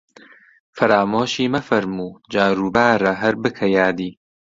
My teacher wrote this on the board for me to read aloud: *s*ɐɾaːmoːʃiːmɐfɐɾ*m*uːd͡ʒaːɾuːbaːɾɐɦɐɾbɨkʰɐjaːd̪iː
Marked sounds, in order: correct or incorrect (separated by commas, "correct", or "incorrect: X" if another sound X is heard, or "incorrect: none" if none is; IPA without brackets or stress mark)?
incorrect: f, correct